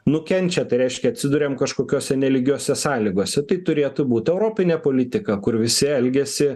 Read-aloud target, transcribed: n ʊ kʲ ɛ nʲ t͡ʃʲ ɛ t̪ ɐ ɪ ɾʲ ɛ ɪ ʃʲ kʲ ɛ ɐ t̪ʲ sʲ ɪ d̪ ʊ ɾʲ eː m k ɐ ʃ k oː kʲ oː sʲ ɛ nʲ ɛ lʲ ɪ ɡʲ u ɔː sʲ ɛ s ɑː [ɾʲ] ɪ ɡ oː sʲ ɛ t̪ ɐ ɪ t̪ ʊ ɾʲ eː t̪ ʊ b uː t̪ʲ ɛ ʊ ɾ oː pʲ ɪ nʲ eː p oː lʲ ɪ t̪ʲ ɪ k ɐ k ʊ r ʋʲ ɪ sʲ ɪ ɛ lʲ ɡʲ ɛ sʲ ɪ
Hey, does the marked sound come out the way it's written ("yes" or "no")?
no